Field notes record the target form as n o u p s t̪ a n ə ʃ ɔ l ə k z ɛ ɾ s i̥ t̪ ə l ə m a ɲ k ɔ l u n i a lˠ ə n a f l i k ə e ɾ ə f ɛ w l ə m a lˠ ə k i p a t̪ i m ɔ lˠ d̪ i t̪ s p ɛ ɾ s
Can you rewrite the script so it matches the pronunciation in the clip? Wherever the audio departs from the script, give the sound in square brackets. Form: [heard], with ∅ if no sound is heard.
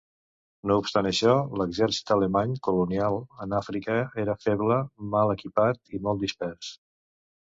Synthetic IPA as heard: n o u p s t̪ a n ə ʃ ɔ l ə [ɡ] z ɛ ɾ s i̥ t̪ ə l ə m a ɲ k [u] l u n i a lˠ ə n a f [ɾ] i k ə e ɾ ə f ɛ [β] l ə m a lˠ ə k i p a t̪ i m ɔ lˠ d̪ i [∅] s p ɛ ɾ s